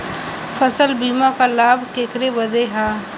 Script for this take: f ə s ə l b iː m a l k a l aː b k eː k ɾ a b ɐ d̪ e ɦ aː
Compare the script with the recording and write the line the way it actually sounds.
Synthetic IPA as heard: f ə s ə l b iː m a k a l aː b k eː k ɾ e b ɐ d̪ e ɦ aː